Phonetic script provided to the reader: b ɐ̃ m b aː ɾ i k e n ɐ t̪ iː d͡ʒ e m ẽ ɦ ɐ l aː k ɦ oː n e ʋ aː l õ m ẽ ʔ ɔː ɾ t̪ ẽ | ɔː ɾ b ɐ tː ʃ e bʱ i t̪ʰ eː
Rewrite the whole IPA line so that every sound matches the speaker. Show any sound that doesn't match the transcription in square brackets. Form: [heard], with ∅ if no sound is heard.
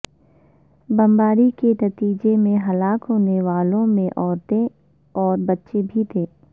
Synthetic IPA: b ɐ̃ m b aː ɾ i k e n ɐ t̪ iː d͡ʒ e m ẽ ɦ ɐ l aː k ɦ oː n e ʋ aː l õ m ẽ ʔ ɔː ɾ t̪ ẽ | ɔː ɾ b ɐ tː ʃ e bʱ i t̪ʰ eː